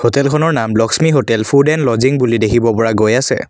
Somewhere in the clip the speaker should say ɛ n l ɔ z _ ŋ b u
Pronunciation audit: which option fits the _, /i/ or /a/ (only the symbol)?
i